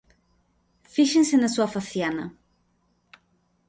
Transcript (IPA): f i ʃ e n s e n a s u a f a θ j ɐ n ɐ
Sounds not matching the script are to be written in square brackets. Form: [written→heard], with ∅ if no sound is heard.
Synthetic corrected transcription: f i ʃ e n s e n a s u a f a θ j [ɐ→a] n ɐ